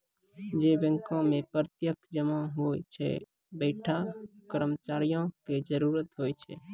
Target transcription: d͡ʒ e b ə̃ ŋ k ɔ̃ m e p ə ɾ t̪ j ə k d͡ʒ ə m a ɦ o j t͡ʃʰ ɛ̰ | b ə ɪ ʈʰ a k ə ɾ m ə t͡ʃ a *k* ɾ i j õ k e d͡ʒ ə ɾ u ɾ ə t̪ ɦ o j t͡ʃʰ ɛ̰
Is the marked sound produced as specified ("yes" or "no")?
no